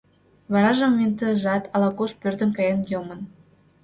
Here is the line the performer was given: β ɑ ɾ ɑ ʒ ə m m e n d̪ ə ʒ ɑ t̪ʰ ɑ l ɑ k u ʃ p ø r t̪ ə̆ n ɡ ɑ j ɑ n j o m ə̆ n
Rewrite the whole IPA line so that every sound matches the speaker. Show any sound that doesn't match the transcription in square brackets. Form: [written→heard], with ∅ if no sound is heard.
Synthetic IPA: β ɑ ɾ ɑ ʒ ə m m e n [d̪→t̪] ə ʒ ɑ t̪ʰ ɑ l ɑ k [u→o] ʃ p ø r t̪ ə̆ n [ɡ→k] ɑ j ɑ n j o m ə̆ n